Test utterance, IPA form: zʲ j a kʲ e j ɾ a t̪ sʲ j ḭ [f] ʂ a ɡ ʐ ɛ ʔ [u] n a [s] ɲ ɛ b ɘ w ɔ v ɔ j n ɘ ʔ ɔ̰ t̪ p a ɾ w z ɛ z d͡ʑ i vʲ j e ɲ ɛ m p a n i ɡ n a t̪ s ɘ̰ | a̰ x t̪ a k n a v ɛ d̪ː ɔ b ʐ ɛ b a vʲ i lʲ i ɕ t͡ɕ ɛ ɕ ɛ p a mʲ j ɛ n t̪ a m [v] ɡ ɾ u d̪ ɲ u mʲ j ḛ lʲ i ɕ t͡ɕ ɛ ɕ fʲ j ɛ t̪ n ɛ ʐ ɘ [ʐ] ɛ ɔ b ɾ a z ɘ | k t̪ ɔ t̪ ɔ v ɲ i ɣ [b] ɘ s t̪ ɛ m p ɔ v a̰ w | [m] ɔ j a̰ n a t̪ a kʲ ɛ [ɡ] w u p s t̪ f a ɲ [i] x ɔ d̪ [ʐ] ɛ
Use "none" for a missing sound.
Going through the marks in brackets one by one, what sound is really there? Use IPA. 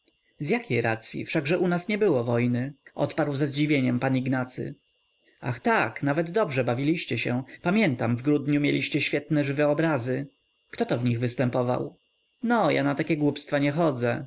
f, u, s, v, v, v, n, ɡ, ɛ, z

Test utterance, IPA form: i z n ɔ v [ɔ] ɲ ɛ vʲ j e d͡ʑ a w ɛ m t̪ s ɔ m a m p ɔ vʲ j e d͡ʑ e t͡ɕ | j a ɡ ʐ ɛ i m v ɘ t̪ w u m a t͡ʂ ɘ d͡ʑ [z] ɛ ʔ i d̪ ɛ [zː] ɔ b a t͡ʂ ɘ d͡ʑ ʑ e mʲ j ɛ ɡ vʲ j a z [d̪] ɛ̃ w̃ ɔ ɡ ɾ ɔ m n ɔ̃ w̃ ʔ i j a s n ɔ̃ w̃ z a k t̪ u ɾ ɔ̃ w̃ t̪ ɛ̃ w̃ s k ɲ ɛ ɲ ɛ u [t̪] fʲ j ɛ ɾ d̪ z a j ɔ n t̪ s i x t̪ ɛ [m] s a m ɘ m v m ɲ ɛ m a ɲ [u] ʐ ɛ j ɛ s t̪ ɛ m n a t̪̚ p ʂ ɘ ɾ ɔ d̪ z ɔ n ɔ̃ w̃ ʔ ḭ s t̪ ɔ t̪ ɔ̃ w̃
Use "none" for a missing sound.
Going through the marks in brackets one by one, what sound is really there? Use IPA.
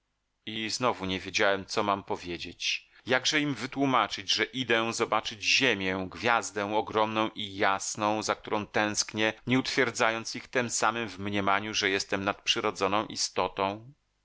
u, ʐ, z, d̪, t̪, m, u

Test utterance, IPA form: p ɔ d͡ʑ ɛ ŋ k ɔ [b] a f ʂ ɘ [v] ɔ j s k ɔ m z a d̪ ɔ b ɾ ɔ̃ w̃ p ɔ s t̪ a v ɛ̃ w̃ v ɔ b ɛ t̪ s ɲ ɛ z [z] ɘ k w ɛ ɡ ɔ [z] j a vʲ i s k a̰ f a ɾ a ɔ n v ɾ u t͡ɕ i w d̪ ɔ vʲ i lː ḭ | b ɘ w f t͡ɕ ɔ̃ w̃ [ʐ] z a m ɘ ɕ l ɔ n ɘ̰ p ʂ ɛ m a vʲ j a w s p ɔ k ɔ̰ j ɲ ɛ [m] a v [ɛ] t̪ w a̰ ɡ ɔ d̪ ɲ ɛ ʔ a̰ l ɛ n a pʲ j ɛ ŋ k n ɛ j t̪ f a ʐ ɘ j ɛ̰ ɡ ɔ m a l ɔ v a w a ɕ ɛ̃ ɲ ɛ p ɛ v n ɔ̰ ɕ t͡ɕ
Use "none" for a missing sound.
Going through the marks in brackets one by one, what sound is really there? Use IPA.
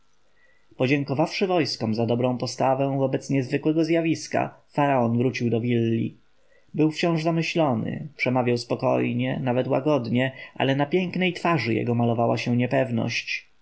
v, v, v, z, ʐ, n, ɛ

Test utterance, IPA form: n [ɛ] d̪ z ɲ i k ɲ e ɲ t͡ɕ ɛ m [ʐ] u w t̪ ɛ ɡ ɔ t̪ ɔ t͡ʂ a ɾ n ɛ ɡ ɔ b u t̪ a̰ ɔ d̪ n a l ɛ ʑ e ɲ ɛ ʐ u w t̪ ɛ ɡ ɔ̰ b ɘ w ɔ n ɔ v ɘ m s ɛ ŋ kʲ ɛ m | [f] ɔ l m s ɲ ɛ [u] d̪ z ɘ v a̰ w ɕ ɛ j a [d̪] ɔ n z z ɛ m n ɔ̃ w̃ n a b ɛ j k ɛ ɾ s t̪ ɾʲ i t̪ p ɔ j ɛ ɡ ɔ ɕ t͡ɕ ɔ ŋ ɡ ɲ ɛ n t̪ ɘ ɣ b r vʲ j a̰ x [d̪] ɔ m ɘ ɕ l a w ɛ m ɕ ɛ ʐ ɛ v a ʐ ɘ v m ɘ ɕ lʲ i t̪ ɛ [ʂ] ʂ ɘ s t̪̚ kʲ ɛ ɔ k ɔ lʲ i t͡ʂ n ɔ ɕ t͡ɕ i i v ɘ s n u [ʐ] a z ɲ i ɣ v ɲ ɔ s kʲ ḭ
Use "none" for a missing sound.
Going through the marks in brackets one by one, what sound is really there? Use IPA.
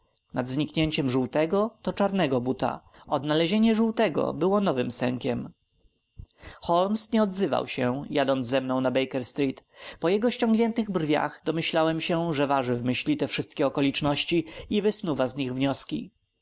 a, ʐ, x, ɔ, d̪, d̪, f, v

